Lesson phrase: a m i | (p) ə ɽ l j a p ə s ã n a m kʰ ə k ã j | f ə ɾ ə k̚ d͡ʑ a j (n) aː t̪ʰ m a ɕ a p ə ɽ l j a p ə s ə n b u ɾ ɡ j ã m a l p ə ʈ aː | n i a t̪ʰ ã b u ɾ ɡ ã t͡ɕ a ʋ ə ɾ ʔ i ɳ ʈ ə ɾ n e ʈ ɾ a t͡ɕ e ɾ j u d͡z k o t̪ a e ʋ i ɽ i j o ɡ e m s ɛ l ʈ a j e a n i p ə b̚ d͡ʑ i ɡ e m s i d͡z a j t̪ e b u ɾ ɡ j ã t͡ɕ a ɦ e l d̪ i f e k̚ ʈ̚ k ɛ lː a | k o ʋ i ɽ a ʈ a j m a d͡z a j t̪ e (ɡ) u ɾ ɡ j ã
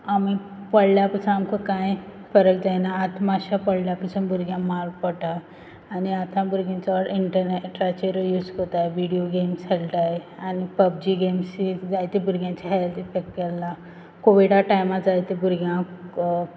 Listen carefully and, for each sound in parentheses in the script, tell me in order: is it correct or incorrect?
correct, correct, incorrect: b

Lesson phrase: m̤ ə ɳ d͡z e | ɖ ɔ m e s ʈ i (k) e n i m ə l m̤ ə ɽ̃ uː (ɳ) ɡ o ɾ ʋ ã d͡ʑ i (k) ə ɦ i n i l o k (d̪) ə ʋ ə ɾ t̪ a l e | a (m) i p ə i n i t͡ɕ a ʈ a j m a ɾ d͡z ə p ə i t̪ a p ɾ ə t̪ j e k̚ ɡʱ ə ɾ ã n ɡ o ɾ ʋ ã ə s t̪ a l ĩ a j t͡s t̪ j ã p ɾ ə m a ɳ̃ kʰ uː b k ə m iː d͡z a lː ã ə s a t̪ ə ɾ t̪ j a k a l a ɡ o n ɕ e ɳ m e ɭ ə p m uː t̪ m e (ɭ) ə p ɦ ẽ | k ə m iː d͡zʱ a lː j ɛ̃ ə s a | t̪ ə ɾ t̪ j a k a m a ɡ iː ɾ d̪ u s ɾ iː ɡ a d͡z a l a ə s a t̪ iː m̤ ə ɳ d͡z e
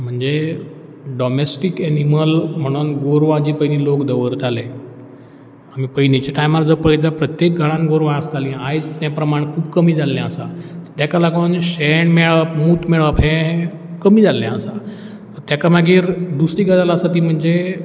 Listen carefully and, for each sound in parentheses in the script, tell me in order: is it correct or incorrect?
correct, incorrect: n, incorrect: p, correct, correct, correct

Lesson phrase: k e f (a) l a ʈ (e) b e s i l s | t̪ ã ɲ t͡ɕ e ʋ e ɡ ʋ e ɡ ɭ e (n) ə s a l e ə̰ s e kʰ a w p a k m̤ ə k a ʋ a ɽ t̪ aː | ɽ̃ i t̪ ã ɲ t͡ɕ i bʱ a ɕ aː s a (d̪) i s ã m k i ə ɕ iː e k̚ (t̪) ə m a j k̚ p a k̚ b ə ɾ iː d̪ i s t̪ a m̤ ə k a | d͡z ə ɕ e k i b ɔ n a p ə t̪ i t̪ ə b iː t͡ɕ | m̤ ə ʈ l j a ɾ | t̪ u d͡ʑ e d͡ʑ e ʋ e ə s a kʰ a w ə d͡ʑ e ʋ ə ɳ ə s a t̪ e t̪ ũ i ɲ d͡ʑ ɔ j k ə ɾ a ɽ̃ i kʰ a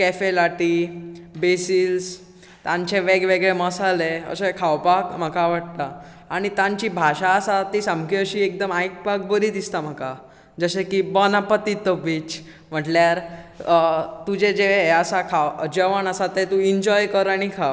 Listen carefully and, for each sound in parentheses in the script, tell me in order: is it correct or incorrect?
incorrect: e, incorrect: i, incorrect: m, incorrect: t̪, incorrect: d̪

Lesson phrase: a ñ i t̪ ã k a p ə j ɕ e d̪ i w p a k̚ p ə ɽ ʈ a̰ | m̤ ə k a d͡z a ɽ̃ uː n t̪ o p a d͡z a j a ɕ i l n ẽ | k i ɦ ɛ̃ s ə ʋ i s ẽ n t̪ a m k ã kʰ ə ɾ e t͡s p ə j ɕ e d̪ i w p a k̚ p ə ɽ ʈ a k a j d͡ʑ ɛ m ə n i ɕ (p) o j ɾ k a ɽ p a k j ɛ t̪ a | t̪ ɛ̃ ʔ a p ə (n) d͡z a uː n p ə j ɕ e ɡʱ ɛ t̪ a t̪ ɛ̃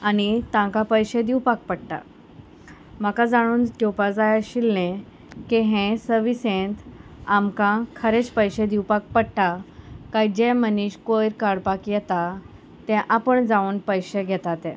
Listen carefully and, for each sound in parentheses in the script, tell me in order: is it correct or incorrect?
incorrect: k, incorrect: ɳ

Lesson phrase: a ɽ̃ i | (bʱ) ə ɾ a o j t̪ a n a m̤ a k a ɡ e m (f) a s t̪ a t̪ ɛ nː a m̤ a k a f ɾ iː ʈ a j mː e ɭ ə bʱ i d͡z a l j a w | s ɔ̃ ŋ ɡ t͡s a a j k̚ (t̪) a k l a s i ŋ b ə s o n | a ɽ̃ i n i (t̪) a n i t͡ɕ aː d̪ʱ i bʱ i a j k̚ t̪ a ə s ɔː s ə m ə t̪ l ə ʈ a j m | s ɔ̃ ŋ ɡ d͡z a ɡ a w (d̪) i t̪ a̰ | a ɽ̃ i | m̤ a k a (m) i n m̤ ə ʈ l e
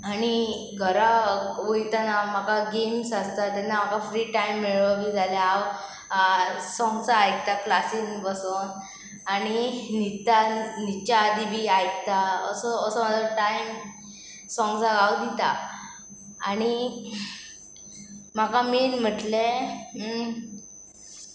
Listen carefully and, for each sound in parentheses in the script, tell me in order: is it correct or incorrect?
incorrect: ɡʱ, incorrect: s, correct, correct, correct, correct

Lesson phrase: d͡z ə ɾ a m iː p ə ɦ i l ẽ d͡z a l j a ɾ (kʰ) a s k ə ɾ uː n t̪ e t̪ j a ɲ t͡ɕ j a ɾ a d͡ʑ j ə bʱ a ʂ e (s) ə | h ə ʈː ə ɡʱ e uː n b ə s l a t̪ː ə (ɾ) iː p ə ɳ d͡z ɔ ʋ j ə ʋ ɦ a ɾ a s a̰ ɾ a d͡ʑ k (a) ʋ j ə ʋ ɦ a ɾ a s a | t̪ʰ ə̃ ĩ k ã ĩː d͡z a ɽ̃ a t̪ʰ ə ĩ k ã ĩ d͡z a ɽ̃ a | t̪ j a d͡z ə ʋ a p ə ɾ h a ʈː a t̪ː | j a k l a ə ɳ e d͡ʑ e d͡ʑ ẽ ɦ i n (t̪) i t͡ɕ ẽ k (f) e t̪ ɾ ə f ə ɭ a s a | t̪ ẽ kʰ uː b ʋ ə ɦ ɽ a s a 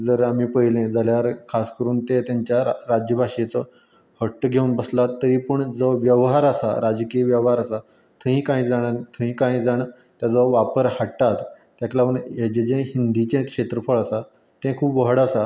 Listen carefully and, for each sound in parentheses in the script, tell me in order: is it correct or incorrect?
correct, incorrect: t͡s, correct, incorrect: i, incorrect: d̪, incorrect: ʂ

